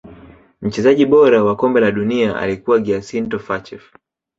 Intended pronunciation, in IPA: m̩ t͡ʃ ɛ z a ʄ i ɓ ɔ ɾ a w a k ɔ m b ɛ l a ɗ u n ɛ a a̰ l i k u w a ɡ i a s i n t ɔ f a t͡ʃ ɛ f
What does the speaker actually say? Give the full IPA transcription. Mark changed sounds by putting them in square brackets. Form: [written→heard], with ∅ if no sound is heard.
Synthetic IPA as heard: m̩ t͡ʃ ɛ z a ʄ i ɓ ɔ ɾ a w a k ɔ m b ɛ l a ɗ u n [ɛ→i] a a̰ l i k u w a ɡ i a s i n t ɔ f a t͡ʃ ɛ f